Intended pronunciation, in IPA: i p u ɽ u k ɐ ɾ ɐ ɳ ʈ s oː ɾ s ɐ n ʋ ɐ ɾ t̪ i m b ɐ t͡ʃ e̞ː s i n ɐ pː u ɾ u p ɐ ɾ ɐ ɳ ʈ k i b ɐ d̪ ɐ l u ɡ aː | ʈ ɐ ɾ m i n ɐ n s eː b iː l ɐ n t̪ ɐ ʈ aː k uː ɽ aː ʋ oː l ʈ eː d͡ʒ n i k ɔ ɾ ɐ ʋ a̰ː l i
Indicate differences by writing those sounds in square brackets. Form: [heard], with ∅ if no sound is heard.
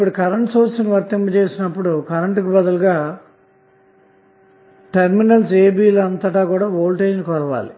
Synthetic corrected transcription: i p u ɽ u k ɐ ɾ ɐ ɳ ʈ s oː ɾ s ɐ n ʋ ɐ ɾ t̪ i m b ɐ t͡ʃ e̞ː s i n ɐ pː u [ɽ] u [k] ɐ ɾ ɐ ɳ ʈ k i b ɐ d̪ ɐ l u ɡ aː | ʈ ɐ ɾ m i n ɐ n s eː b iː l ɐ n t̪ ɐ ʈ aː k uː ɽ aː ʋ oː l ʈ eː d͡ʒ n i k ɔ ɾ ɐ ʋ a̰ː l i